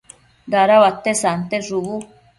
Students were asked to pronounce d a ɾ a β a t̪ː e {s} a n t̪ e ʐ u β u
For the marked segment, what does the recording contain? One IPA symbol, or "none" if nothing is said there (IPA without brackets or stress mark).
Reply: s